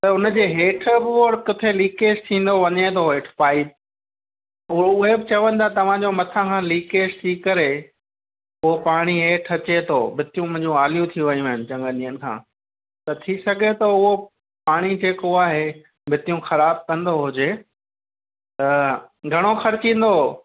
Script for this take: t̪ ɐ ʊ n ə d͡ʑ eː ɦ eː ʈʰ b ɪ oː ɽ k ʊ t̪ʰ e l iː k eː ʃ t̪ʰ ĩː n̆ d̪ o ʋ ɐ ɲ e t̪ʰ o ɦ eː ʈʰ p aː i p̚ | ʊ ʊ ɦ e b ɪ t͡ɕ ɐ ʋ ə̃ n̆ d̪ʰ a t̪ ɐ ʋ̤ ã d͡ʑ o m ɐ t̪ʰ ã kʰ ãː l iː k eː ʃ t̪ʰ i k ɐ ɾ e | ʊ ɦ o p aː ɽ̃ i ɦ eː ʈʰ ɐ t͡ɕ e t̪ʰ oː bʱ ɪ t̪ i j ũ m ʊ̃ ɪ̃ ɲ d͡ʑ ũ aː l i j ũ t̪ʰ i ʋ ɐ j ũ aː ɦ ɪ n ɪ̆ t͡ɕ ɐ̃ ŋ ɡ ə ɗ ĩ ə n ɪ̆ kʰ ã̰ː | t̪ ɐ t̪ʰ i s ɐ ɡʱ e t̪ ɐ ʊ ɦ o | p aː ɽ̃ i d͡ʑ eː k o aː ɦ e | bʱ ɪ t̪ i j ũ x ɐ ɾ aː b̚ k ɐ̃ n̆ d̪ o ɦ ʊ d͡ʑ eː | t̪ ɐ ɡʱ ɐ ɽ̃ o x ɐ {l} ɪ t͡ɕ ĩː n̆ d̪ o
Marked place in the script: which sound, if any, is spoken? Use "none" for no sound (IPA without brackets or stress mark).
ɾ